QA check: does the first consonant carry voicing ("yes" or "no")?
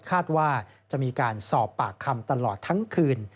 no